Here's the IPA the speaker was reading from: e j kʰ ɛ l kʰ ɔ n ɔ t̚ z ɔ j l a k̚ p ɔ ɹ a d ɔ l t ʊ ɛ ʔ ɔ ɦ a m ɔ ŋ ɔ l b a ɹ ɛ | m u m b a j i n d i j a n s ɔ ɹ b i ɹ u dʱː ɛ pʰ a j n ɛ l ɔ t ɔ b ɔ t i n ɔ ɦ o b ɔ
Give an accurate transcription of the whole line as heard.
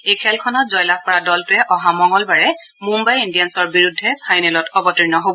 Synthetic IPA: e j kʰ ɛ l kʰ ɔ n ɔ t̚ z ɔ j l a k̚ p ɔ ɹ a d ɔ l t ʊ ɛ ʔ ɔ ɦ a m ɔ ŋ ɔ l b a ɹ ɛ | m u m b a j i n d i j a n s ɔ ɹ b i ɹ u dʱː ɛ pʰ a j n ɛ l ɔ t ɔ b ɔ t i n ɔ ɦ o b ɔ